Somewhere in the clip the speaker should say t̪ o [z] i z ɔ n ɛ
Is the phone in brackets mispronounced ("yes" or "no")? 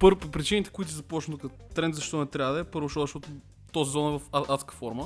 no